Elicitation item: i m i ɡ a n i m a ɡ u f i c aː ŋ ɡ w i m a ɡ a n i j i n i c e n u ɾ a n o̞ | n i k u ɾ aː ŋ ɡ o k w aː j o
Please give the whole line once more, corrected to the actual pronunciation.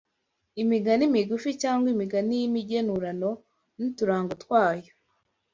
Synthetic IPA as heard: i m i ɡ a n i m i ɡ u f i c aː ŋ ɡ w i m i ɡ a n i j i m i ɟ e n u ɾ a n o̞ | n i t u ɾ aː ŋ ɡ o t w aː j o